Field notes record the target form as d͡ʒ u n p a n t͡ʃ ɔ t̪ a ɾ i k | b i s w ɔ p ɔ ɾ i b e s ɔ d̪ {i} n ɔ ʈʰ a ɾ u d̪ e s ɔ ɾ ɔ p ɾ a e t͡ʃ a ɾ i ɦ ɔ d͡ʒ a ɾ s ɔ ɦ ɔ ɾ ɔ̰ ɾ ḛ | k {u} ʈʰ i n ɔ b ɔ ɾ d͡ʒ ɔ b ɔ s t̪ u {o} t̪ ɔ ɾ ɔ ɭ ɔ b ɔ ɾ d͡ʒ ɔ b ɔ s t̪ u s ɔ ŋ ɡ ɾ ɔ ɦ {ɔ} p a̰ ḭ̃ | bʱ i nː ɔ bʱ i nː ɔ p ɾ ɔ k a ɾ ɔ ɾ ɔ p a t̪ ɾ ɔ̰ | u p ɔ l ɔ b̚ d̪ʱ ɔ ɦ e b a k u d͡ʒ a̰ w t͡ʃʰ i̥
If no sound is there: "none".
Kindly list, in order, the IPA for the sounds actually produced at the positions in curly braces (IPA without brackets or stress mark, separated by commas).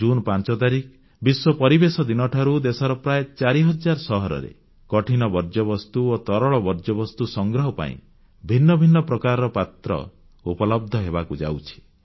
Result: i, ɔ, o, ɔ